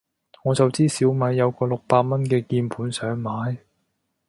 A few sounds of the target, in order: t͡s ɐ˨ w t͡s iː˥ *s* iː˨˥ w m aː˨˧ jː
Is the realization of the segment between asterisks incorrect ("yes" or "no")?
no